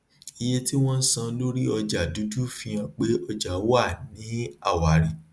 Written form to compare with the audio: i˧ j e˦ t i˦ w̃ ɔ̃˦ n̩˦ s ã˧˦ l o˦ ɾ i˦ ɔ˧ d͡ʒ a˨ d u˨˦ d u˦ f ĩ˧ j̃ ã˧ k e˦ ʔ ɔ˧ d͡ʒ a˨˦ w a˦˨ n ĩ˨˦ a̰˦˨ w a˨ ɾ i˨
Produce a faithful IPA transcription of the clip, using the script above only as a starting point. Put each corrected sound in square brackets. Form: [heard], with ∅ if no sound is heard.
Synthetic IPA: i˧ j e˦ t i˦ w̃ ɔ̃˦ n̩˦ s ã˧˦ l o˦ ɾ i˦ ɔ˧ d͡ʒ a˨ d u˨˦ d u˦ f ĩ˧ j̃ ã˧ [k͡p] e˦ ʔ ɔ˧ d͡ʒ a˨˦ w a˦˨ n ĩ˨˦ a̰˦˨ w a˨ ɾ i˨